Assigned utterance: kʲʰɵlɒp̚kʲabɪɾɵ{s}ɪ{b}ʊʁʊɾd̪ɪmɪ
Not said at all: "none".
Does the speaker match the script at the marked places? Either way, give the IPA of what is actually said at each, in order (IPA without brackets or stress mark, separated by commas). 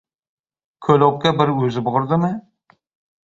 z, b